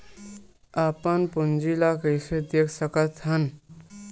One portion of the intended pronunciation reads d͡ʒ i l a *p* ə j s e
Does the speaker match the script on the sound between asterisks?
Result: no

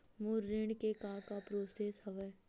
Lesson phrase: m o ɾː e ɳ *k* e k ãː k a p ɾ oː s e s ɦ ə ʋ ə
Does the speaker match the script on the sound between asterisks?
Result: yes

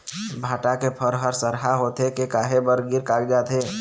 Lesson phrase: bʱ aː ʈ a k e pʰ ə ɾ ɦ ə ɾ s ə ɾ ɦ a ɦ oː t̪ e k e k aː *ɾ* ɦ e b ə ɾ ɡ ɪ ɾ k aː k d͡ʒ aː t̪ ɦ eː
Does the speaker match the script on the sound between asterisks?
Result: no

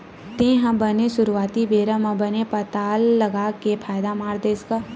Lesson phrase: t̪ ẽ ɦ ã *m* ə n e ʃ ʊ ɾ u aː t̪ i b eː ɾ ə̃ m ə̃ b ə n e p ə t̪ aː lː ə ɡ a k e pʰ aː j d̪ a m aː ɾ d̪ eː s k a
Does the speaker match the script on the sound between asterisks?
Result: no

